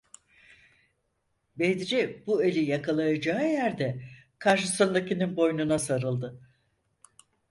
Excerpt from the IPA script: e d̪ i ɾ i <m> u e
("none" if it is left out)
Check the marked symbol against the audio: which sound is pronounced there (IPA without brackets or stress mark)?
b